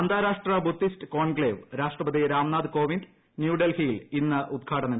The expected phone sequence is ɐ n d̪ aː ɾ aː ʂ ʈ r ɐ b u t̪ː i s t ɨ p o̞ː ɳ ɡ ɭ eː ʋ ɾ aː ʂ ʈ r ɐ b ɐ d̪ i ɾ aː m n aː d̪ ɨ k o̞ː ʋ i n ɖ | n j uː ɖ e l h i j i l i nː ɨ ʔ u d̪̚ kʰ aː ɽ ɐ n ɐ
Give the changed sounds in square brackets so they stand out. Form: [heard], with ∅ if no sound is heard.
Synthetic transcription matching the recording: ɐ n d̪ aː ɾ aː ʂ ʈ r ɐ b u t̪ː i s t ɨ [k] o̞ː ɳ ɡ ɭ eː ʋ ɾ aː ʂ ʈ r ɐ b ɐ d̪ i ɾ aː m n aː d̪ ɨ k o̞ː ʋ i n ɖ | n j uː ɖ e l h i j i l i nː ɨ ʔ u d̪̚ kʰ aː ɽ ɐ n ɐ